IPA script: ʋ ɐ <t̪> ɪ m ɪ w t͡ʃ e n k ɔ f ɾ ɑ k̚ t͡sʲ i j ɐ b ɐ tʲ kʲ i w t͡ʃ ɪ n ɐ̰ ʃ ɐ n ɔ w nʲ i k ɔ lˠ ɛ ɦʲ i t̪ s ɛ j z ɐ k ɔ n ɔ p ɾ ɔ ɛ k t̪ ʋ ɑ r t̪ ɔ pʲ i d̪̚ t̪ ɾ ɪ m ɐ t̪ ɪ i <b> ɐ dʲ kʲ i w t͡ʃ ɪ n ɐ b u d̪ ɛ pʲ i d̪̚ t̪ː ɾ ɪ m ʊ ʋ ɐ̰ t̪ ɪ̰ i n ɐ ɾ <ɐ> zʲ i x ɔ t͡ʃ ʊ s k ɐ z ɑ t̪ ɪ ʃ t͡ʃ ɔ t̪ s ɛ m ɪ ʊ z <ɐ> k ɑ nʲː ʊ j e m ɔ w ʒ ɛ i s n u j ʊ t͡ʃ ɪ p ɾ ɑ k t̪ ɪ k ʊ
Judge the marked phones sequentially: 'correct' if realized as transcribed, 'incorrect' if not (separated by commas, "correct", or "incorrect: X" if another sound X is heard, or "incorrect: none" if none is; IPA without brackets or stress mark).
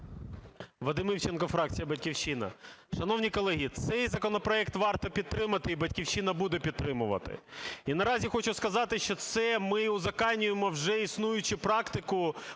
incorrect: d̪, correct, incorrect: ɑ, correct